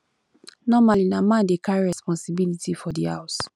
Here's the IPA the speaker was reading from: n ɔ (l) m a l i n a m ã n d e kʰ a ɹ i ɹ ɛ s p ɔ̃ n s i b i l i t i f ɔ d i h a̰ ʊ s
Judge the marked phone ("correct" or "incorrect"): incorrect